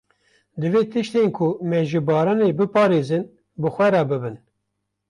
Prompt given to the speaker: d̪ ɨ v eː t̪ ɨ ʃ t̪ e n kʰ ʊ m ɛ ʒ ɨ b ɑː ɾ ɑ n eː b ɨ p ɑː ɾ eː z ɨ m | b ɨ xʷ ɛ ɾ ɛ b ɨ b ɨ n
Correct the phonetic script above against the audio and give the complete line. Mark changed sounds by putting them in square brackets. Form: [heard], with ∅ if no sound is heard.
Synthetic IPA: d̪ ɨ v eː t̪ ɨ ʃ t̪ e n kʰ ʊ m ɛ ʒ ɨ b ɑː ɾ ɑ n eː b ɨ p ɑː ɾ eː z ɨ [n] | b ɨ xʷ ɛ ɾ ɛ b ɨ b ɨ n